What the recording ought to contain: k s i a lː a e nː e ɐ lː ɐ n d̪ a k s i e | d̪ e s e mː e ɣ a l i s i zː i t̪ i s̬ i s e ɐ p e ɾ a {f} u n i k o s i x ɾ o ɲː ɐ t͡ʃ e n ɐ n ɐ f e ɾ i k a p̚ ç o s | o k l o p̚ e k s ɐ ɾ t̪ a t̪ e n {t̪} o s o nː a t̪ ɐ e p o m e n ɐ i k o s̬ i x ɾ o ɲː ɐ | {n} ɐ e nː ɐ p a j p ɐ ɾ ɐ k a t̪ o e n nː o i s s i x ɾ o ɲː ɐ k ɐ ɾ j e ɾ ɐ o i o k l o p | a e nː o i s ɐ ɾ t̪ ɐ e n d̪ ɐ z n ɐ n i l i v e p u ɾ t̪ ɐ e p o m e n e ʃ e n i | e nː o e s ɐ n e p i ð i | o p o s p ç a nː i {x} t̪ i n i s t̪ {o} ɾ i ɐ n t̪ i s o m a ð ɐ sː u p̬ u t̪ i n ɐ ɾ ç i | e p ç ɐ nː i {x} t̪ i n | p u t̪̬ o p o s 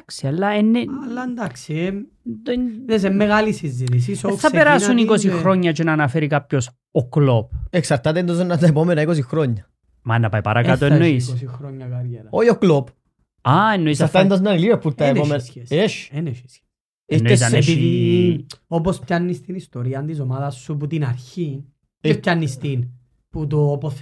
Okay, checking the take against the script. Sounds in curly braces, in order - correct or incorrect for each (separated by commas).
incorrect, incorrect, incorrect, incorrect, correct, incorrect